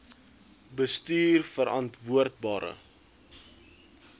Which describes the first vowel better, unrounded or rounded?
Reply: unrounded